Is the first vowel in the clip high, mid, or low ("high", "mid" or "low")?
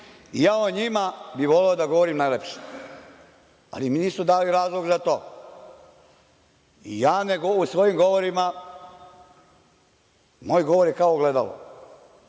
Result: high